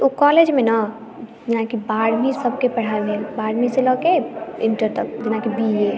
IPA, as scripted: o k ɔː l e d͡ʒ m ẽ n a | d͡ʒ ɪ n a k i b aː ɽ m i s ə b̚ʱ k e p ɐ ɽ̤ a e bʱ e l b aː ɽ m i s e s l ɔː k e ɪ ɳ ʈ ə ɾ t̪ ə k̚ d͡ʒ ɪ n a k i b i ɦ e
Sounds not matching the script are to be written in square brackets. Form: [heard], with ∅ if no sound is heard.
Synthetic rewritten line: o k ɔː l e d͡ʒ m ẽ n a | d͡ʒ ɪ n a k i b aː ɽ m i s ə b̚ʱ k e p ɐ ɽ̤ a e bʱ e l b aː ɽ m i s e [∅] l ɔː k e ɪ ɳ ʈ ə ɾ t̪ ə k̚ d͡ʒ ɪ n a k i b i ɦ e